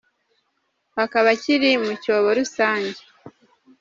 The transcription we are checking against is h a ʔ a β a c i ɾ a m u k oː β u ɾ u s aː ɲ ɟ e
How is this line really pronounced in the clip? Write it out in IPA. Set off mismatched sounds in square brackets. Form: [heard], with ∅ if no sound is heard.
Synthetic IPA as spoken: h a [k] a β a c i ɾ [i] m u [c] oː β [o] ɾ u s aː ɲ ɟ e